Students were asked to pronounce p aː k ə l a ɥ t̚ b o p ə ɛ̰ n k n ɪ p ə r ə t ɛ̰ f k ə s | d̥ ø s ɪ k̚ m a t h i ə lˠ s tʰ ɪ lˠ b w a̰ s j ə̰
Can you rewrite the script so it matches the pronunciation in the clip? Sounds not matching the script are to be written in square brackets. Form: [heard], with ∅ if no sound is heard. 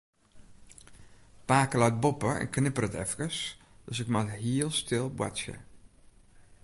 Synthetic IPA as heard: p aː k ə l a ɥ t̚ b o p ə ɛ̰ n k n ɪ p ə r ə t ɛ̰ f k ə s | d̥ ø s ɪ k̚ m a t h i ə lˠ s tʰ ɪ lˠ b w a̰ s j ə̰